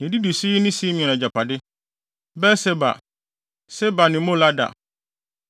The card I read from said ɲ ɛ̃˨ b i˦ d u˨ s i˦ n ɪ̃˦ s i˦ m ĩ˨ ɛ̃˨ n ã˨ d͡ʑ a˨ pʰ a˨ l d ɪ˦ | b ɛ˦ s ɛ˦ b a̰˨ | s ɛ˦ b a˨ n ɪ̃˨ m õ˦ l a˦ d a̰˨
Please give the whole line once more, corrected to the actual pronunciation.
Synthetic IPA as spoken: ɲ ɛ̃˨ d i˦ d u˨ s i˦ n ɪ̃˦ s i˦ m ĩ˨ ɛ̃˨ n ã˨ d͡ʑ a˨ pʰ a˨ d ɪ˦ | b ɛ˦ s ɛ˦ b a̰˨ | s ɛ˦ b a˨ n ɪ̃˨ m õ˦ l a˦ d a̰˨